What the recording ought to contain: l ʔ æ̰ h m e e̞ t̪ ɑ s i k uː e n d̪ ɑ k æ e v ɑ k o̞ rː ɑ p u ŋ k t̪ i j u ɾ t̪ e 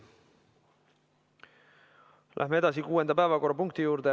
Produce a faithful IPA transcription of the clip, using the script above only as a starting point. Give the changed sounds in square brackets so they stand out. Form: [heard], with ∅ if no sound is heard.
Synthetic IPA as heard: l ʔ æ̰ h m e e̞ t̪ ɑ s i k uː e n d̪ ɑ [p] æ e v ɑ k o̞ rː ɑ p u ŋ k t̪ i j [uː] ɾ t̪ e